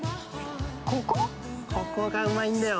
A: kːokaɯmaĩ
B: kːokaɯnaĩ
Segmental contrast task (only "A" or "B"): A